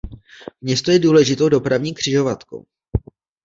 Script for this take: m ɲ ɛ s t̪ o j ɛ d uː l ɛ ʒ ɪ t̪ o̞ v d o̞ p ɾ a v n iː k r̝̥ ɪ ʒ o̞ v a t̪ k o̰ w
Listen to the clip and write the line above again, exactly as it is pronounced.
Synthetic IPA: m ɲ ɛ s t̪ o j ɛ d uː l ɛ ʒ ɪ t̪ o̞ w d o̞ p ɾ a v ɲ iː k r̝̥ ɪ ʒ o̞ v a t̪ k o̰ w

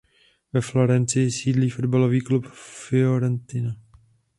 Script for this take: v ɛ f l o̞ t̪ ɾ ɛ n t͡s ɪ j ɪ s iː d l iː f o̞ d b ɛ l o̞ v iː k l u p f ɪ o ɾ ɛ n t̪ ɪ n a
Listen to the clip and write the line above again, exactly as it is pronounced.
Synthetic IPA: v ɛ f l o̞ ɾ ɛ n t͡s ɪ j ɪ s iː d l iː f o̞ d b a l o̞ v iː k l u p f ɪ o ɾ ɛ n t̪ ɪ n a

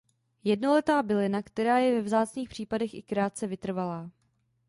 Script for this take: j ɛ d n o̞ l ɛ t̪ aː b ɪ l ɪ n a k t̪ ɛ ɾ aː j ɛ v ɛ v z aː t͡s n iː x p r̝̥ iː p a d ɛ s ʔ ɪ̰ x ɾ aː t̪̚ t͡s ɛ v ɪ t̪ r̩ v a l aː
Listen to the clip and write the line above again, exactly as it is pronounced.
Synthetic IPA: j ɛ d n o̞ l ɛ t̪ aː b ɪ l ɪ n a k t̪ ɛ ɾ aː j ɛ v ɛ v z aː t͡s n iː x p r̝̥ iː p a d ɛ x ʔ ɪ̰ k ɾ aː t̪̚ t͡s ɛ v ɪ t̪ r̩ v a l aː

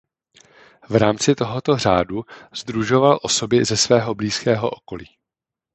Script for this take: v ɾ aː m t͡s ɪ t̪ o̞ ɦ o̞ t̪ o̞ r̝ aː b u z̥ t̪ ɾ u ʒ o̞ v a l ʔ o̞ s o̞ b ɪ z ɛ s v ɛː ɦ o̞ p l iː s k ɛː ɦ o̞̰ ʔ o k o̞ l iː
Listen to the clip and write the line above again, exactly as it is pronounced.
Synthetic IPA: v ɾ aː m t͡s ɪ t̪ o̞ ɦ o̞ t̪ o̞ r̝ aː d u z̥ d̪ ɾ u ʒ o̞ v a l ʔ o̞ s o̞ b ɪ z ɛ s v ɛː ɦ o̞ b l iː s k ɛː ɦ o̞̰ ʔ o k o̞ l iː

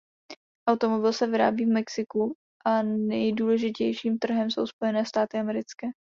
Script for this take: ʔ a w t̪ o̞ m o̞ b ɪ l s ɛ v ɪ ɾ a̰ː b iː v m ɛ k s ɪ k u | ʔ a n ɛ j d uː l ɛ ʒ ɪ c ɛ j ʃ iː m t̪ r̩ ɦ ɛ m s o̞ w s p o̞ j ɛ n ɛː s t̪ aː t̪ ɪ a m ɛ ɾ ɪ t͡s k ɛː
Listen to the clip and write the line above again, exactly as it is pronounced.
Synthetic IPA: ʔ a w t̪ o̞ m o̞ b ɪ l s ɛ v ɪ ɾ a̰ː b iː v m ɛ k s ɪ k u | ʔ a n ɛ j d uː l ɛ ʒ ɪ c ɛ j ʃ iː m t̪ r̩ ɦ ɛ m s o̞ w s p o̞ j ɛ n ɛː s t̪ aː t̪ ɪ a m ɛ ɾ ɪ t͡s k ɛː

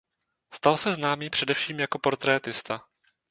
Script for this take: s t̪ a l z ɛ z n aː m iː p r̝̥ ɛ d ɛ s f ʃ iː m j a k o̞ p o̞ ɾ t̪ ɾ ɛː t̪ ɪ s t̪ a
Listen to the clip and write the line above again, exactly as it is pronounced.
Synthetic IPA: s t̪ a l s ɛ z n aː m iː p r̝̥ ɛ d ɛ f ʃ iː m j a k o̞ p o̞ ɾ t̪ ɾ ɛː t̪ ɪ s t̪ a

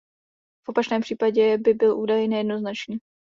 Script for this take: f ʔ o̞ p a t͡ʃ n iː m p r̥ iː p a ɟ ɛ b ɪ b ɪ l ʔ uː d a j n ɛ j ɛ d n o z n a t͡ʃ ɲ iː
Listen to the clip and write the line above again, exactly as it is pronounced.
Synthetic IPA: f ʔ o̞ p a t͡ʃ n ɛː m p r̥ iː p a ɟ ɛ b ɪ b ɪ l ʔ uː d a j n ɛ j ɛ d n o z n a t͡ʃ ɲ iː

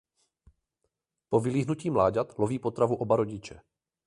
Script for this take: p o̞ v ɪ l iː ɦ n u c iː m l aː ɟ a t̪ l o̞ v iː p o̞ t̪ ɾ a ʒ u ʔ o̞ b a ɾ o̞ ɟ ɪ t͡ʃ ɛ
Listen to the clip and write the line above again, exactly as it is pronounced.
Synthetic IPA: p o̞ v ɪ l iː ɦ n u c iː m l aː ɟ a t̪ l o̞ v iː p o̞ t̪ ɾ a v u ʔ o̞ b a ɾ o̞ ɟ ɪ t͡ʃ ɛ

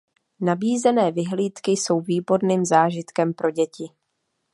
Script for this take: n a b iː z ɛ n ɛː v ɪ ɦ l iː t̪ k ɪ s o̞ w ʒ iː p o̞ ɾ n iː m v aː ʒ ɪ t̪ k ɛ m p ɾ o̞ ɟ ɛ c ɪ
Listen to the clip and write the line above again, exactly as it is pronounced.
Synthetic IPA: n a b iː z ɛ n ɛː v ɪ ɦ l iː t̪ k ɪ s o̞ w v iː b o̞ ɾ n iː m z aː ʒ ɪ t̪ k ɛ m p ɾ o̞ ɟ ɛ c ɪ

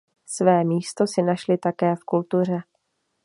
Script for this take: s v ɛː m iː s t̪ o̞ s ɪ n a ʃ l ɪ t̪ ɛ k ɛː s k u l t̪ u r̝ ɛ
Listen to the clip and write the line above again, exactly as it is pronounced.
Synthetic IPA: s v ɛː m iː s t̪ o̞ s ɪ n a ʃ l ɪ t̪ a k ɛː f k u l t̪ u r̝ ɛ

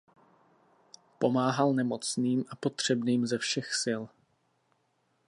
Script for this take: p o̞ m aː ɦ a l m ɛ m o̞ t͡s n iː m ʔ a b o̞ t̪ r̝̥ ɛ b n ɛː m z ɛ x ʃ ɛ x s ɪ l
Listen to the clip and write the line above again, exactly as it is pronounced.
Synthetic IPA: p o̞ m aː ɦ a l n ɛ m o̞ t͡s n iː m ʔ a p o̞ t̪ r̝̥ ɛ b n iː m z ɛ f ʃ ɛ x s ɪ l

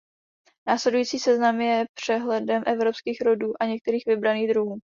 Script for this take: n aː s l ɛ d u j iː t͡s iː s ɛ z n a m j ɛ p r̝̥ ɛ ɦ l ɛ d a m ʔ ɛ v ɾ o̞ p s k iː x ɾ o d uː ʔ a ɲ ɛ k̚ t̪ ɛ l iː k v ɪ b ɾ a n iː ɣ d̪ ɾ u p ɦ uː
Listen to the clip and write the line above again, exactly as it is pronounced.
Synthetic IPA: n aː s l ɛ d u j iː t͡s iː s ɛ z n a m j ɛ p r̝̥ ɛ ɦ l ɛ d ɛ m ʔ ɛ v ɾ o̞ p s k iː x ɾ o d uː ʔ a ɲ ɛ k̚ t̪ ɛ ɾ iː x v ɪ b ɾ a n iː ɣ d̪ ɾ u ɦ uː

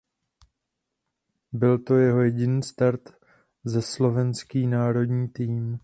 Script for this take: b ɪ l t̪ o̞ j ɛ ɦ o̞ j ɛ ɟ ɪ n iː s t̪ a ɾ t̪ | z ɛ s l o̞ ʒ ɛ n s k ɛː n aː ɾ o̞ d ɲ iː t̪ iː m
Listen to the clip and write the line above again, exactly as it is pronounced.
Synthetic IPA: b ɪ l t̪ o̞ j ɛ ɦ o̞ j ɛ ɟ ɪ n iː s t̪ a ɾ t̪ | z ɛ s l o̞ v ɛ n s k iː n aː ɾ o̞ d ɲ iː t̪ iː m

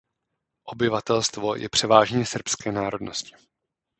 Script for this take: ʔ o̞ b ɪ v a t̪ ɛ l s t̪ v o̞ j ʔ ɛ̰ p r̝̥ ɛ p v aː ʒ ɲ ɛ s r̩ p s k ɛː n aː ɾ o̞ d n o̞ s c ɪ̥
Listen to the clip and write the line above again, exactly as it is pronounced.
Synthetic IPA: ʔ o̞ b ɪ v a t̪ ɛ l s t̪ v o̞ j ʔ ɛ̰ p r̝̥ ɛ v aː ʒ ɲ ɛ s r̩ p s k ɛː n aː ɾ o̞ d n o̞ s c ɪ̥

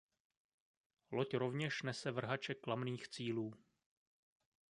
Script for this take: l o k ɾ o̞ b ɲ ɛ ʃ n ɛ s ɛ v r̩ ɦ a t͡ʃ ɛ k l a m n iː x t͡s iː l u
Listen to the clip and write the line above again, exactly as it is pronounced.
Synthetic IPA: l o c ɾ o̞ v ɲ ɛ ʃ n ɛ s ɛ v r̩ ɦ a t͡ʃ ɛ k l a m n iː x t͡s iː l uː

